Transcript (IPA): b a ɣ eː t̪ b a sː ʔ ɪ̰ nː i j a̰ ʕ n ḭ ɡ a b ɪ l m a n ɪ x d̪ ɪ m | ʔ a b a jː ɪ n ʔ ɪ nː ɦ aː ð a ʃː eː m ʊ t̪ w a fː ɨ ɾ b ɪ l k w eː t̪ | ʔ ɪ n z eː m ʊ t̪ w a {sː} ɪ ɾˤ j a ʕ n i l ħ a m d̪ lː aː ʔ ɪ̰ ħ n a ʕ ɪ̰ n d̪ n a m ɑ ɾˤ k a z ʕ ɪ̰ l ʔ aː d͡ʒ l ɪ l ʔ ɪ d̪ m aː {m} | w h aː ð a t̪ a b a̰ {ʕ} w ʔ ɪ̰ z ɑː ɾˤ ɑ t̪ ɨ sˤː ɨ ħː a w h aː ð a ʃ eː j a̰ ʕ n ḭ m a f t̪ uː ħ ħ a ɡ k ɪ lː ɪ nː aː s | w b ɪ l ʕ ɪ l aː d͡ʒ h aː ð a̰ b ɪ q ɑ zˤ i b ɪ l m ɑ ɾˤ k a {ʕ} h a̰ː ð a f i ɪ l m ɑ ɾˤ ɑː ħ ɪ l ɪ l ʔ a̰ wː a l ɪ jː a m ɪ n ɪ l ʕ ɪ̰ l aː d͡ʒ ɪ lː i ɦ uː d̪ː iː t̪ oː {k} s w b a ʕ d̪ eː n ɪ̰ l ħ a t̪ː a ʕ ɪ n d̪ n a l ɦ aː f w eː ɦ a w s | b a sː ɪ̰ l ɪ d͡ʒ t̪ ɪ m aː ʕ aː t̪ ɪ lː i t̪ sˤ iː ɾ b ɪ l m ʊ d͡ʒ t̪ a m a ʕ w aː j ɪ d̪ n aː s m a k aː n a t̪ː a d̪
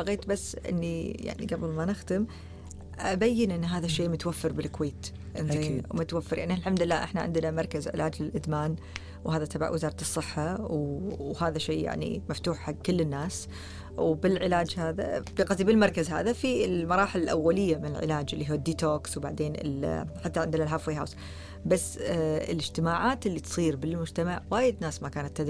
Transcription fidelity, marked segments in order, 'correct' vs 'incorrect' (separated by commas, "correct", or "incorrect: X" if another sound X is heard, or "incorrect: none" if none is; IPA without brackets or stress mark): incorrect: fː, incorrect: n, correct, incorrect: z, correct